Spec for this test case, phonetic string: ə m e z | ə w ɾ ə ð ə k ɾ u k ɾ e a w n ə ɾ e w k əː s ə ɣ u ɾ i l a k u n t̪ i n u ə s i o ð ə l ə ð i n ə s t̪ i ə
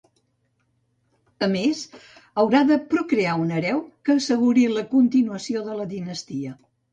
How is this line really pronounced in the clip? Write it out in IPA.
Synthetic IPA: ə m e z | ə w ɾ a ð ə p ɾ u k ɾ e a u n ə ɾ ɛ w k əː s ə ɣ u ɾ i l ə k u n t̪ i n u ə s i o ð ə l ə ð i n ə s t̪ i ə